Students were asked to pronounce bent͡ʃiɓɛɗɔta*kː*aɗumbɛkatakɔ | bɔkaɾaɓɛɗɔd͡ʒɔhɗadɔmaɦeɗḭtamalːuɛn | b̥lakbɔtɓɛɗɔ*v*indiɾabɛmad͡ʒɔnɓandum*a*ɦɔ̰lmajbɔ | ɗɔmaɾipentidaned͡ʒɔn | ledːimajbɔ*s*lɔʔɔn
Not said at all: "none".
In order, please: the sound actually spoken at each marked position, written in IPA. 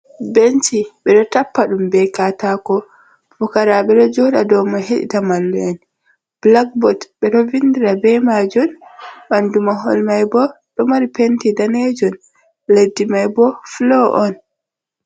pː, v, a, f

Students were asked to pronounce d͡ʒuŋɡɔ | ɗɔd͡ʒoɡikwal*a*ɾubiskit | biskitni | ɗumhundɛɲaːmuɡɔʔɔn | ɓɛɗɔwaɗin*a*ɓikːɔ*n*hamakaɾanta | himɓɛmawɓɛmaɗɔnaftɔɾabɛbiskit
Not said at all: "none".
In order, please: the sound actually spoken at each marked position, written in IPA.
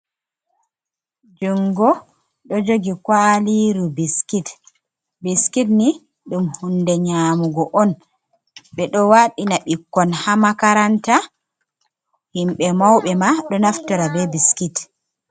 i, a, n

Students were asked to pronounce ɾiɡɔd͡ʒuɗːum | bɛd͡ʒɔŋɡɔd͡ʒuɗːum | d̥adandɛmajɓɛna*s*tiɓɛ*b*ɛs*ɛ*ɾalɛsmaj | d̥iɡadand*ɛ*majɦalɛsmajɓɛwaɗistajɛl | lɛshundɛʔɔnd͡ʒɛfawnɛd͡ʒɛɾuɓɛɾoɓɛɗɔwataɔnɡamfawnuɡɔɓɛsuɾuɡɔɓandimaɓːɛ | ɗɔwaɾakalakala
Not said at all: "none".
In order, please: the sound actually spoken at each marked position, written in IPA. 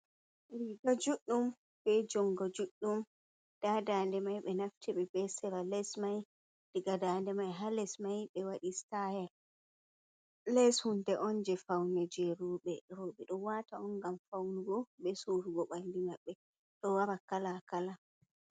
f, b, ɛ, ɛ

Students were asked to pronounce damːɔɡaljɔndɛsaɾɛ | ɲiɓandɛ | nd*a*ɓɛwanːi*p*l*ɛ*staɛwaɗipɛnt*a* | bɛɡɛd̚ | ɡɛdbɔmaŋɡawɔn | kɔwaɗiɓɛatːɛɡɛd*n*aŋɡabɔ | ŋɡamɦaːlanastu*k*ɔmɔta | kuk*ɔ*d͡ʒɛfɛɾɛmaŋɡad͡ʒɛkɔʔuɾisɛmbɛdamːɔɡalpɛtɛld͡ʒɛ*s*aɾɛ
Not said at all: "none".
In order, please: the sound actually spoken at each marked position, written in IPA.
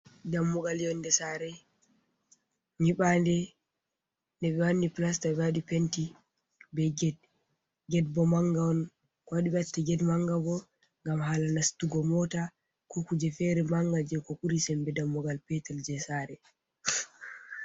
ɛ, p, a, i, m, ɡ, u, s

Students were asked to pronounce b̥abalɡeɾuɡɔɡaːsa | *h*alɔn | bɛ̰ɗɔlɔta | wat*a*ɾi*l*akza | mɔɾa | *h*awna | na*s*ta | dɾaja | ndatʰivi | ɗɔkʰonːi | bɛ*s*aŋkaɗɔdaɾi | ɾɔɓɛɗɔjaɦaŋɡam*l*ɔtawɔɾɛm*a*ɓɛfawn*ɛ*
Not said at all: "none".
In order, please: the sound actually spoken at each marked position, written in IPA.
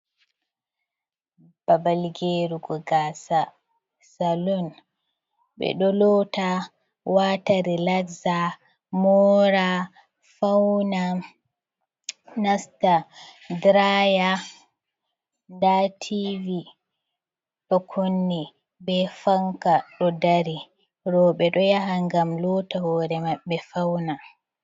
s, a, l, f, s, f, l, a, a

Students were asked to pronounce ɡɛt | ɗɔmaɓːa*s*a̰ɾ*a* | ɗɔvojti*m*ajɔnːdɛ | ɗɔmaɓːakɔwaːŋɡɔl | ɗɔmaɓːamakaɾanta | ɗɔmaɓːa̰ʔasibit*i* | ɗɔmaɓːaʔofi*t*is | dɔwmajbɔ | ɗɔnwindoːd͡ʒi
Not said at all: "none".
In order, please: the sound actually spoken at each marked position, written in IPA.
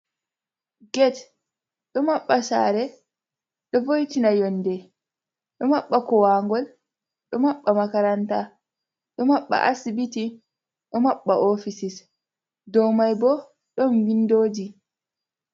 s, ɛ, n, i, s

